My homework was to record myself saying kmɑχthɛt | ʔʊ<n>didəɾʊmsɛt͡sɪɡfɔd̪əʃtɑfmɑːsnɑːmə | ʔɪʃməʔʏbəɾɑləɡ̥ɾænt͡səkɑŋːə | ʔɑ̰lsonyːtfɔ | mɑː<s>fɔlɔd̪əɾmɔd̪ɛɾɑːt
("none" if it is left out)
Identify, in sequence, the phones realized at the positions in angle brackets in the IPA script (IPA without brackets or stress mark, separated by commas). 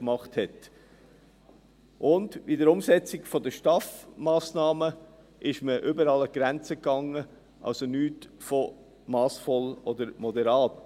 n, s